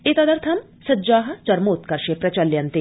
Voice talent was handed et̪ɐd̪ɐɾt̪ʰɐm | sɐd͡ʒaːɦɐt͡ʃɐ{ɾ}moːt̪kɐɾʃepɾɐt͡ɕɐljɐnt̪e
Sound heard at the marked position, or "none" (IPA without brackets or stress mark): ɾ